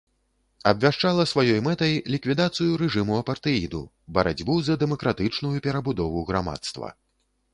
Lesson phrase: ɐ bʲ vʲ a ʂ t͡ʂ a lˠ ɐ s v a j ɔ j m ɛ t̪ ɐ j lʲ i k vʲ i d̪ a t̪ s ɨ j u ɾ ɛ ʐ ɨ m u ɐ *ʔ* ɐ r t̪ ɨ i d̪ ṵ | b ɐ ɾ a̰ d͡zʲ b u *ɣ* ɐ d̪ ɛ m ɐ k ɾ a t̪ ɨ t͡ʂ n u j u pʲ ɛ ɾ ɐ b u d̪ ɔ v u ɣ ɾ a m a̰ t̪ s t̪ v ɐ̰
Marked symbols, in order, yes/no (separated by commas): no, no